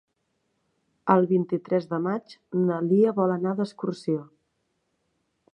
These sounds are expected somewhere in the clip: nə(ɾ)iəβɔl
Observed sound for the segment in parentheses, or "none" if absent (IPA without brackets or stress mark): l